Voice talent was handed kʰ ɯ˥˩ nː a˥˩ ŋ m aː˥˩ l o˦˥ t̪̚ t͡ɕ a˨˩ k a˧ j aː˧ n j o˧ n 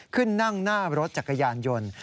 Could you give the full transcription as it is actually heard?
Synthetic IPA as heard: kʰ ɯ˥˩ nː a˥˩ ŋ n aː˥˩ ɾ o˦˥ t̪̚ t͡ɕ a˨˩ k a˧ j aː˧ n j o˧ n